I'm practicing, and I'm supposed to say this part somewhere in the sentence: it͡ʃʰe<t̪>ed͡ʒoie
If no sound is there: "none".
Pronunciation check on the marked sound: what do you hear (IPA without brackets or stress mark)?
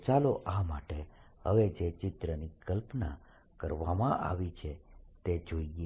t̪